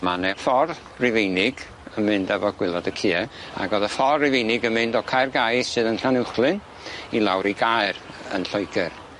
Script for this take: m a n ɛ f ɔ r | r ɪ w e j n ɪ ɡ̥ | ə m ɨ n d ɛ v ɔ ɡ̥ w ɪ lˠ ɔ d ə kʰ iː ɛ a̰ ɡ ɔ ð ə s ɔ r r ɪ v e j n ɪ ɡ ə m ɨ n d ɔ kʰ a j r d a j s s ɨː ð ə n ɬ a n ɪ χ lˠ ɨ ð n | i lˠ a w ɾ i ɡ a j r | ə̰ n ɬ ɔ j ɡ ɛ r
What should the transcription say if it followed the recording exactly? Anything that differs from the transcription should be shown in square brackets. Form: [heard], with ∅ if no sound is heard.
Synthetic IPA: m a n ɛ f ɔ r | r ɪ [v] e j n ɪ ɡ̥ | ə m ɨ n d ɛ v ɔ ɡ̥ w ɪ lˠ ɔ d ə kʰ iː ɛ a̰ ɡ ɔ ð ə [f] ɔ r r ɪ v e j n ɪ ɡ ə m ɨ n d ɔ kʰ a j r [ɡ] a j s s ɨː ð ə n ɬ a n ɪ χ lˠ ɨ [∅] n | i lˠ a w ɾ i ɡ a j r | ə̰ n ɬ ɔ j ɡ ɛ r